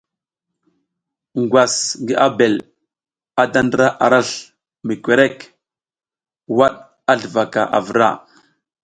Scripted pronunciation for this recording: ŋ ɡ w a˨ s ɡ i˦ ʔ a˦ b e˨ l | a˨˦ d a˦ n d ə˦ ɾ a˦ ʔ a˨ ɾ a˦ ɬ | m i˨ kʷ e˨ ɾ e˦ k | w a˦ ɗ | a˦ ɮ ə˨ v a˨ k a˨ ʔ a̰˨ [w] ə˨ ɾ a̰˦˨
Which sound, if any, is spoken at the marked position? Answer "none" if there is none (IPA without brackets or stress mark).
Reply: v